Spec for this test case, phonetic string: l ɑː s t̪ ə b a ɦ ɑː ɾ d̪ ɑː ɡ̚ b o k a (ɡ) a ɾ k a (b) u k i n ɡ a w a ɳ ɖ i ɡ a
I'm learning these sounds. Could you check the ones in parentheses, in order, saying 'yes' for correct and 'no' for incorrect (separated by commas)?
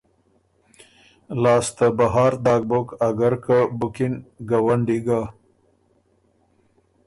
yes, yes